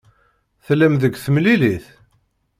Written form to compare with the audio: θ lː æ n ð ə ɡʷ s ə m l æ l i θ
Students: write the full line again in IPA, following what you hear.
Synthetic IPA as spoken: θ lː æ m ð ə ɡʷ θ ə m l i l i θ

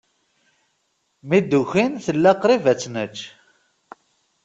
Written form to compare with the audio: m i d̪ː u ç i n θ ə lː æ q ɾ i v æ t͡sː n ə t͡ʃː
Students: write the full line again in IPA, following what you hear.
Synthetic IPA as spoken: m i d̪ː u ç i n θ ə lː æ q ɾ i v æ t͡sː n ə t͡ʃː

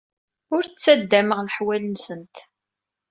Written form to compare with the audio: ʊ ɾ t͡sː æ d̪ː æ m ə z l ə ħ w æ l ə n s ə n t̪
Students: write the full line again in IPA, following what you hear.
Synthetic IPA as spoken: ʊ ɾ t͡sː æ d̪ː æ m ə ʁ l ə ħ w æ l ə n s ə n t̪

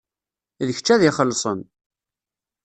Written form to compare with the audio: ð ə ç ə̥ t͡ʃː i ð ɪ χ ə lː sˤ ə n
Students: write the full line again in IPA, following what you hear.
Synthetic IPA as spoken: ð ə ç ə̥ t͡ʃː æ ð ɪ χ ə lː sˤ ə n

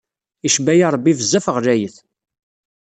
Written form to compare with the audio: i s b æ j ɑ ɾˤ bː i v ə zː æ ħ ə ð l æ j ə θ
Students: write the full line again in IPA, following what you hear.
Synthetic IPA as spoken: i ʃ b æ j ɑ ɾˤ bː i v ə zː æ f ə ʁ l æ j ə θ

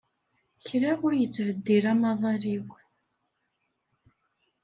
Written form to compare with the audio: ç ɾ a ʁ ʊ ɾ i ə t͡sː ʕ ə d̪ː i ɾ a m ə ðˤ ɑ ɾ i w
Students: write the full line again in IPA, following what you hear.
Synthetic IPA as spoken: ç ɾ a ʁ ʊ ɾ j ə t͡sː v ə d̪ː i ɾ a m ɑ ðˤ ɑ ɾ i w

